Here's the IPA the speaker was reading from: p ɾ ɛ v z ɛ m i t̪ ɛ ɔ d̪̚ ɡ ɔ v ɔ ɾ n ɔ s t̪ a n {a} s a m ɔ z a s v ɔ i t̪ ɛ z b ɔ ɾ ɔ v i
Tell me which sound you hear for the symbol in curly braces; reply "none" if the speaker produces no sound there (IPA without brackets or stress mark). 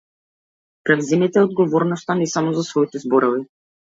ɛ